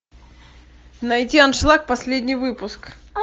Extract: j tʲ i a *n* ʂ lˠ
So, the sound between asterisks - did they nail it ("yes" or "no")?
yes